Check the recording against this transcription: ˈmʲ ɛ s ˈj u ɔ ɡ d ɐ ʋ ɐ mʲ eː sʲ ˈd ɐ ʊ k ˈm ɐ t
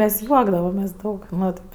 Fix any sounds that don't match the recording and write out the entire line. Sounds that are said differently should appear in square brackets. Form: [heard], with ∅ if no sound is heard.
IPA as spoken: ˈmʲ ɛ s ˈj u ɔ ɡ d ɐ ʋ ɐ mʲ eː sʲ ˈd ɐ ʊ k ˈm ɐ t